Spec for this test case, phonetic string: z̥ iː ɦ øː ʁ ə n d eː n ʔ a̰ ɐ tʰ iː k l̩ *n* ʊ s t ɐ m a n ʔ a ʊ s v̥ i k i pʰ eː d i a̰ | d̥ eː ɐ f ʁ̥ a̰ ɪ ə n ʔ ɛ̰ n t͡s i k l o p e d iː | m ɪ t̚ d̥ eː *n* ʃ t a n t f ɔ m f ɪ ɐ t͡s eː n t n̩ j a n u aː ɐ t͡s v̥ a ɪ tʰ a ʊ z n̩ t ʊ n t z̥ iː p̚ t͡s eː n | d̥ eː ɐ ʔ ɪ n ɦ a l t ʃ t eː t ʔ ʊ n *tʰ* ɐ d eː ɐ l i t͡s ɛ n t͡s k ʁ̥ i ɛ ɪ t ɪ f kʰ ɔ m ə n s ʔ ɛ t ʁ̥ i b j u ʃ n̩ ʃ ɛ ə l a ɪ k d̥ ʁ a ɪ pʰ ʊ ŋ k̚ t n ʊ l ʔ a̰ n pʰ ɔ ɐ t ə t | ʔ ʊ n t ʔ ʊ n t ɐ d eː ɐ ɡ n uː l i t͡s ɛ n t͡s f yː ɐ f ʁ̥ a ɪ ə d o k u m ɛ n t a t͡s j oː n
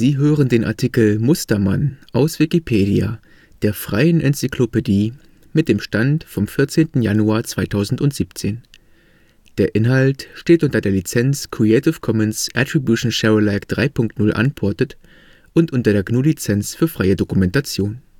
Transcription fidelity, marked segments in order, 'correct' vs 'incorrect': incorrect, incorrect, incorrect

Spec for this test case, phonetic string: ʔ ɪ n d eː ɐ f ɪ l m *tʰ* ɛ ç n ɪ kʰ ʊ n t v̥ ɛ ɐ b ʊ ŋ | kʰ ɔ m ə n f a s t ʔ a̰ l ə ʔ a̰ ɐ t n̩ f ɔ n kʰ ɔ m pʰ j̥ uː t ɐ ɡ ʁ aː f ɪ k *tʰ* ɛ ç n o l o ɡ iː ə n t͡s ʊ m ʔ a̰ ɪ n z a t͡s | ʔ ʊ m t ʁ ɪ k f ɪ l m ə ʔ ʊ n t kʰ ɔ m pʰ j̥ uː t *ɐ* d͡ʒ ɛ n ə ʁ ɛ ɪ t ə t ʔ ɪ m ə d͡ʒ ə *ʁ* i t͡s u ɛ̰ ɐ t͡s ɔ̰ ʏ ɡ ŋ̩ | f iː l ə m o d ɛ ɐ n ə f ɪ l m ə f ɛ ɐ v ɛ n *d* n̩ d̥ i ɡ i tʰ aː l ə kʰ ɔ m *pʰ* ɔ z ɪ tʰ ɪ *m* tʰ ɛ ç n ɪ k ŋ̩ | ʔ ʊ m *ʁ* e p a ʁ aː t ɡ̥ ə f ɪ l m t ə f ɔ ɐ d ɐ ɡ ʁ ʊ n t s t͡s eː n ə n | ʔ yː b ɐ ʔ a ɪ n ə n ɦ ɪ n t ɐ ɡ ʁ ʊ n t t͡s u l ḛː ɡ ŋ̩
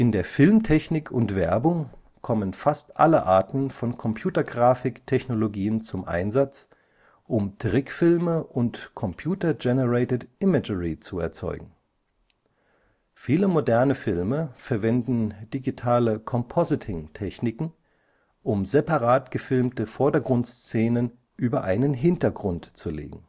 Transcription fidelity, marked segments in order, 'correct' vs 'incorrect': correct, correct, correct, correct, correct, correct, incorrect, incorrect

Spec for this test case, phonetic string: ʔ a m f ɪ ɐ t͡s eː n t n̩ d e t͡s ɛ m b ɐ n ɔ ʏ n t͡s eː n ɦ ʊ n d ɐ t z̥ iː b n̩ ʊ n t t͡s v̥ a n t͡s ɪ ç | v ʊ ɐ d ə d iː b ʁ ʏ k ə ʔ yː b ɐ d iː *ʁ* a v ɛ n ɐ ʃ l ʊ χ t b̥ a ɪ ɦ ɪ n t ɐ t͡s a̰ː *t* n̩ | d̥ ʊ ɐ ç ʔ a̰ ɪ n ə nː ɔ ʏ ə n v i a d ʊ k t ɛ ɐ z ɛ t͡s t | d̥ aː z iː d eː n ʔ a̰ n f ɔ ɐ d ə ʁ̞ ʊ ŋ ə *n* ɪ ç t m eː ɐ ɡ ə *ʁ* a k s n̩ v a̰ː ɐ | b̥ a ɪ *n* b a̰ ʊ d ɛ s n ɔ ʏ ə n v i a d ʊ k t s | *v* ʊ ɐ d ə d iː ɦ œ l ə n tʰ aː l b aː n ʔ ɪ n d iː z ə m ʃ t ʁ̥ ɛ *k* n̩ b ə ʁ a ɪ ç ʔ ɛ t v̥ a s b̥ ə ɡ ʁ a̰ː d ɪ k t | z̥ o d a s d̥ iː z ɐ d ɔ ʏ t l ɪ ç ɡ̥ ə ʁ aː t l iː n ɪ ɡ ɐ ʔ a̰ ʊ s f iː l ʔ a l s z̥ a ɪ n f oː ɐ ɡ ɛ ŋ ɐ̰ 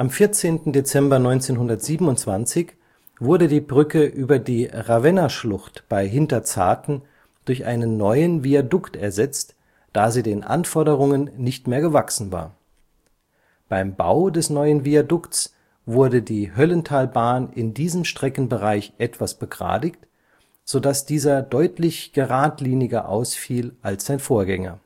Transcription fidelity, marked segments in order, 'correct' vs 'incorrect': correct, correct, incorrect, incorrect, incorrect, correct, correct

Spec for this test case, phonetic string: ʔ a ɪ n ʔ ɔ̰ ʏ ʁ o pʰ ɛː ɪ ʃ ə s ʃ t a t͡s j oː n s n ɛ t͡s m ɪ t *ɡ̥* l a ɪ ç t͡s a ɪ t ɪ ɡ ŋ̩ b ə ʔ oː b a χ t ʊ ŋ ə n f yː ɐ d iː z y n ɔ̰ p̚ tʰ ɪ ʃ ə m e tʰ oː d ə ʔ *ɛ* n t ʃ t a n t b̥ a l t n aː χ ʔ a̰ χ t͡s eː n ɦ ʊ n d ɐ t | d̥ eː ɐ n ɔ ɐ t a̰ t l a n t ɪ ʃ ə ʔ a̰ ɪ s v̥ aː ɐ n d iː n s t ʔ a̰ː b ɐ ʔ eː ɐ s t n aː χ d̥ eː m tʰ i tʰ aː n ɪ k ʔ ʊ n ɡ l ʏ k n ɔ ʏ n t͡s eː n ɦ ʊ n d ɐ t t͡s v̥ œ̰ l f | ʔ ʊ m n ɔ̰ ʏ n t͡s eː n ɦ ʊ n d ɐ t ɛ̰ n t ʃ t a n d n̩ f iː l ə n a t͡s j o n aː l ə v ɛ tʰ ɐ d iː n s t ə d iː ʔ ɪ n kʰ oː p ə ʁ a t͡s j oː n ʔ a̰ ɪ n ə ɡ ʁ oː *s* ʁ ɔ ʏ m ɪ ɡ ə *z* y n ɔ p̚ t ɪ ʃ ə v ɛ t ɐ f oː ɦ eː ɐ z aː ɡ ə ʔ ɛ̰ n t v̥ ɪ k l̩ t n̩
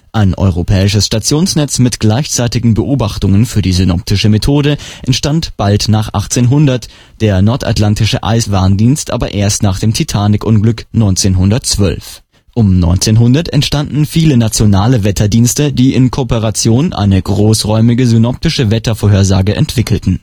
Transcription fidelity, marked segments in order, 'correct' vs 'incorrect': correct, correct, correct, correct

